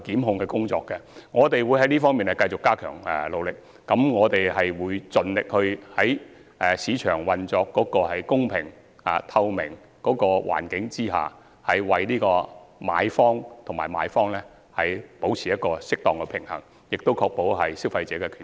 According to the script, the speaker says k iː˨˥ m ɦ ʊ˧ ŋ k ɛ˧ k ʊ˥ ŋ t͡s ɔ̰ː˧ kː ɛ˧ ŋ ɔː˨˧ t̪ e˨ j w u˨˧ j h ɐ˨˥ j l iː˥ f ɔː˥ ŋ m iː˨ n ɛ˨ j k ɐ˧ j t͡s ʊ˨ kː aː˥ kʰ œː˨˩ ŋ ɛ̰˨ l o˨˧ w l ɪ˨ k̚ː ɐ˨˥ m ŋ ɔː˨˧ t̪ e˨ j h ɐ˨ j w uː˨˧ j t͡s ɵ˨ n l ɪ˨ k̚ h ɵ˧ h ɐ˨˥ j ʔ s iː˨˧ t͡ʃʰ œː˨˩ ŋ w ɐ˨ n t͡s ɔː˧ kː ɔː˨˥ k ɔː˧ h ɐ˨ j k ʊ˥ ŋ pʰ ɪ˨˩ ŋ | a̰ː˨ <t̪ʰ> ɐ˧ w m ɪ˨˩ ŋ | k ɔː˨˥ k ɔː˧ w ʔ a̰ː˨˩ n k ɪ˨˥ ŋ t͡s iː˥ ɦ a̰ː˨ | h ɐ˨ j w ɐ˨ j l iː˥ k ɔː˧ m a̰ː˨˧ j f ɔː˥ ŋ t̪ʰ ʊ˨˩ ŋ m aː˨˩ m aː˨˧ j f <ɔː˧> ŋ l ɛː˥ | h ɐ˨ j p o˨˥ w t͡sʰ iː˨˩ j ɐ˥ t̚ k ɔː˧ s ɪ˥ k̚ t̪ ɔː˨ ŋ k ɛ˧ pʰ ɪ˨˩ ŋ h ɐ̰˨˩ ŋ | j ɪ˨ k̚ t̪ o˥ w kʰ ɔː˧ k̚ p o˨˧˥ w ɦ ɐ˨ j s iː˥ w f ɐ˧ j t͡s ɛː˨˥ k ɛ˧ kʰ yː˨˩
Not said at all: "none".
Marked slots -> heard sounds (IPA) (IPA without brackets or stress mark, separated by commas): t̪ʰ, ɔː˥